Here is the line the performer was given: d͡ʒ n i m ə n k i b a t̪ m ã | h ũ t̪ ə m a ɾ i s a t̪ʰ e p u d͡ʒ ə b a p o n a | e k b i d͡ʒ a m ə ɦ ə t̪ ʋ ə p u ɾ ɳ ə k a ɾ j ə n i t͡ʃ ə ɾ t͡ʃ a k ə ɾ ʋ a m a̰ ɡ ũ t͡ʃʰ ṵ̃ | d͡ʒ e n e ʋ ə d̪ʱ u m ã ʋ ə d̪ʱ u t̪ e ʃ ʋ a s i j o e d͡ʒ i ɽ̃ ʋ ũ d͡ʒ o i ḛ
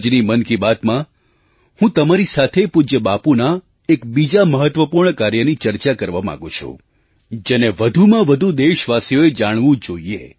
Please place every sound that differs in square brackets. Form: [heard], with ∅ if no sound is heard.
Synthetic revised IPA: d͡ʒ n i m ə n k i b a t̪ m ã | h ũ t̪ ə m a ɾ i s a t̪ʰ e p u d͡ʒ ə b a p [u] n a | e k b i d͡ʒ a m ə ɦ ə t̪ ʋ ə p u ɾ ɳ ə k a ɾ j ə n i t͡ʃ ə ɾ t͡ʃ a k ə ɾ ʋ a m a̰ ɡ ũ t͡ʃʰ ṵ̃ | d͡ʒ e n e ʋ ə d̪ʱ u m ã ʋ ə d̪ʱ u [d̪] e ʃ ʋ a s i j o e d͡ʒ [a] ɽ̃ ʋ ũ d͡ʒ o i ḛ

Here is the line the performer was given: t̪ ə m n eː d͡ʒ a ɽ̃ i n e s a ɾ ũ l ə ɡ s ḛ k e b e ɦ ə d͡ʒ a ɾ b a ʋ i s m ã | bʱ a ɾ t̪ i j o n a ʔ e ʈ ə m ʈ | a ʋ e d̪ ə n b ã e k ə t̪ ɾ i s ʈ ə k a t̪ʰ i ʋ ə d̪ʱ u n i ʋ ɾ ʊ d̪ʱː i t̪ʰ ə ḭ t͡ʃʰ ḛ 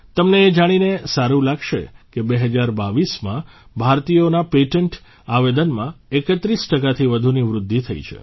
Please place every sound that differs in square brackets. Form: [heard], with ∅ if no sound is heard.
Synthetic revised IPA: t̪ ə m n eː d͡ʒ a ɽ̃ i n e s a ɾ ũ l [a] ɡ [ʃ] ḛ k e b e ɦ ə d͡ʒ a ɾ b a ʋ i s m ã | bʱ a ɾ t̪ i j o n a [p] e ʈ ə [ɳ] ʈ | a ʋ e d̪ ə n [m] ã e k ə t̪ ɾ i s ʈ ə k a t̪ʰ i ʋ ə d̪ʱ u n i ʋ ɾ ʊ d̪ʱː i t̪ʰ ə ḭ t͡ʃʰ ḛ

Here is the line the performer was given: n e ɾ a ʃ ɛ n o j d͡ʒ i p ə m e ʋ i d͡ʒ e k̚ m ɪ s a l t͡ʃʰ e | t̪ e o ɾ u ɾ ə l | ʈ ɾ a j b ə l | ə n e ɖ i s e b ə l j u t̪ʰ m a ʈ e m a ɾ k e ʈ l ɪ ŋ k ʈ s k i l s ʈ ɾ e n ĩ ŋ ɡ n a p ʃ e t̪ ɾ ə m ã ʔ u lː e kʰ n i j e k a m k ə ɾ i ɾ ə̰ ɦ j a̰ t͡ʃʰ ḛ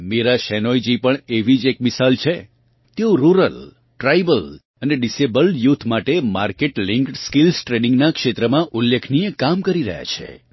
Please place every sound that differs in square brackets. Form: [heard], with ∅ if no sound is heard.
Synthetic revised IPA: [m] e ɾ a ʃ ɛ n o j d͡ʒ i p ə [ɳ] e ʋ i d͡ʒ e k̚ m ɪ s a l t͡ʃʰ e | t̪ e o ɾ u ɾ ə l | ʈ ɾ a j b ə l | ə n e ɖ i s e b ə l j u t̪ʰ m a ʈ e m a ɾ k e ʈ l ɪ ŋ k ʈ s k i l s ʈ ɾ e n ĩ ŋ ɡ n a [k] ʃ e t̪ ɾ ə m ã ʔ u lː e kʰ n i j e k a m k ə ɾ i ɾ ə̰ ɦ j a̰ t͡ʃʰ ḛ

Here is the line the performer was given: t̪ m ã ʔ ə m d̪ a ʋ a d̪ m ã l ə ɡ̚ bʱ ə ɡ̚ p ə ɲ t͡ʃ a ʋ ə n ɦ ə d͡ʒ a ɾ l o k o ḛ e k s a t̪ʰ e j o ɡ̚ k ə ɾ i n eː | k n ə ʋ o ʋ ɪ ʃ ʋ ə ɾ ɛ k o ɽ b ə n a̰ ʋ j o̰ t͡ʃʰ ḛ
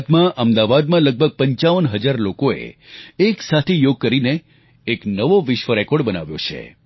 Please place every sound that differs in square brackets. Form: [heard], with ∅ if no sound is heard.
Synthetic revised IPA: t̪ m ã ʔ ə m d̪ a ʋ a d̪ m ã l ə ɡ̚ bʱ ə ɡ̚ p ə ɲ t͡ʃ a ʋ ə n ɦ ə d͡ʒ a ɾ l o k o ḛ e k s a t̪ʰ e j o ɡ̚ k ə ɾ i n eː | k n ə ʋ o ʋ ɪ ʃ ʋ ə ɾ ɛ k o ɽ b ə n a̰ ʋ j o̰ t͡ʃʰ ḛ

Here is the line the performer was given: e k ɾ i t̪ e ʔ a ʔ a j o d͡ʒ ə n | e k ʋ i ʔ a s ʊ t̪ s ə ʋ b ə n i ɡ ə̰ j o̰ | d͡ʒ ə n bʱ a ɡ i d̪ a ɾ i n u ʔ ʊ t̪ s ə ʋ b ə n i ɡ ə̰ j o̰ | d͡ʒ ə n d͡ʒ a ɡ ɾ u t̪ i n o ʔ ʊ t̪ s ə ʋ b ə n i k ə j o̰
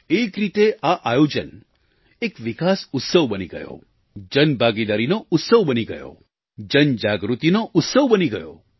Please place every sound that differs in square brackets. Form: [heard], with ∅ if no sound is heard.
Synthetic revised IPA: e k ɾ i t̪ e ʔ a ʔ a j o d͡ʒ ə n | e k ʋ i [k] a s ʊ t̪ s ə ʋ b ə n i ɡ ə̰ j o̰ | d͡ʒ ə n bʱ a ɡ i d̪ a ɾ i n [o] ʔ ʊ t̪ s ə ʋ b ə n i ɡ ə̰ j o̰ | d͡ʒ ə n d͡ʒ a ɡ ɾ u t̪ i n o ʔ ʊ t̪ s ə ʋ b ə n i [ɡ] ə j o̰

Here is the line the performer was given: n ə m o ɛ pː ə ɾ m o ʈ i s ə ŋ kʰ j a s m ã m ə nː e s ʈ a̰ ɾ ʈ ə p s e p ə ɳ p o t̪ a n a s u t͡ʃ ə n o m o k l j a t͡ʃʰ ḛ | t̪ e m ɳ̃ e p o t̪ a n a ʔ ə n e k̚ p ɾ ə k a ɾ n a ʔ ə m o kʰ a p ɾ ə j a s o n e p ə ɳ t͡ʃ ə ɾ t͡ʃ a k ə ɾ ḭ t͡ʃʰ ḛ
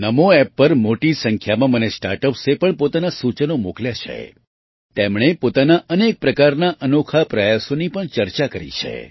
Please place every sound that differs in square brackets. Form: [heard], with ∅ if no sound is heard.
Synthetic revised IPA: n ə m o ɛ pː ə ɾ m o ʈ i s ə ŋ kʰ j a [∅] m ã m ə [n] e s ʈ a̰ ɾ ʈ ə p s e p ə ɳ p o t̪ a n a s u t͡ʃ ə n o m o k l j a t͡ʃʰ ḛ | t̪ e m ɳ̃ e p o t̪ a n a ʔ ə n e k̚ p ɾ ə k a ɾ n a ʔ ə [n] o kʰ a p ɾ ə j a s o n [i] p ə ɳ t͡ʃ ə ɾ t͡ʃ a k ə ɾ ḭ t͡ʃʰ ḛ

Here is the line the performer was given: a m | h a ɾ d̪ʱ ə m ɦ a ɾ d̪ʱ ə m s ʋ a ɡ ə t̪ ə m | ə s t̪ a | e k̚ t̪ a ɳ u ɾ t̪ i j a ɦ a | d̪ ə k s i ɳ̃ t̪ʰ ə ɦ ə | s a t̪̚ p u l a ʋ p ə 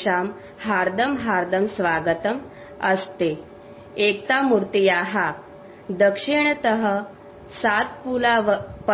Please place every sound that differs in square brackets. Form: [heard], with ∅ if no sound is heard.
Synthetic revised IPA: a m | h a ɾ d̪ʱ ə m ɦ a ɾ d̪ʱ ə m s ʋ a ɡ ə t̪ ə m | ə s t̪ [e] | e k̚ t̪ a [m] u ɾ t̪ i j a ɦ a | d̪ ə k [ʂ] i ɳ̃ [t̪] ə ɦ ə | s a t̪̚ p u l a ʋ p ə

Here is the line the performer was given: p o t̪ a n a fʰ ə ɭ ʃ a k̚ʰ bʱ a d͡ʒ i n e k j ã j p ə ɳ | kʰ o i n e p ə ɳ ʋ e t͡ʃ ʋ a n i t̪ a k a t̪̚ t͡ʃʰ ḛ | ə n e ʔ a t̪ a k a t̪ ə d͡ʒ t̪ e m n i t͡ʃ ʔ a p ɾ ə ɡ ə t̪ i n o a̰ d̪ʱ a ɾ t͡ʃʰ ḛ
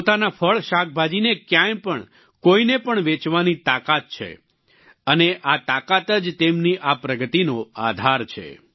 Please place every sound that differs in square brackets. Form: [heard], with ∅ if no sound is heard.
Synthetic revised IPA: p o t̪ a n a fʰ ə ɭ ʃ a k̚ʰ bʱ a d͡ʒ i n e k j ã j p ə ɳ | [k] o i n e p ə ɳ ʋ e t͡ʃ ʋ a n i t̪ a k a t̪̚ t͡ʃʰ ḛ | ə n e ʔ a t̪ a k a t̪ ə d͡ʒ t̪ e m n i [∅] ʔ a p ɾ ə ɡ ə t̪ i n o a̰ d̪ʱ a ɾ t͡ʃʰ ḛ

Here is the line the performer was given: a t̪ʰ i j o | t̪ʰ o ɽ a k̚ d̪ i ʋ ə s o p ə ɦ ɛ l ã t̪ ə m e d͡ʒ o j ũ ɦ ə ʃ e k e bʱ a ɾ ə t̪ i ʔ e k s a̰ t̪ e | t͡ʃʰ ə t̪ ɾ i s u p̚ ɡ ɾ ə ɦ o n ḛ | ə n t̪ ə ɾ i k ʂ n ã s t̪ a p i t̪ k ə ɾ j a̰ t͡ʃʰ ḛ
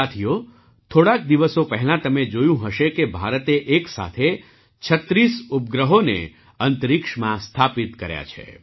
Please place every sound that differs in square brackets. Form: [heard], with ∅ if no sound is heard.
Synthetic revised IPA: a t̪ʰ i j o | t̪ʰ o ɽ a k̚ d̪ i ʋ ə s o p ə ɦ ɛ l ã t̪ ə m e d͡ʒ o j ũ ɦ ə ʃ e k e bʱ a ɾ ə t̪ [e] ʔ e k s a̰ [t̪ʰ] e | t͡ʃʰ ə t̪ ɾ i s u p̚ ɡ ɾ ə ɦ o n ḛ | ə n t̪ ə ɾ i k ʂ [m] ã s [t̪ʰ] a p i t̪ k ə ɾ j a̰ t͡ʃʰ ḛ

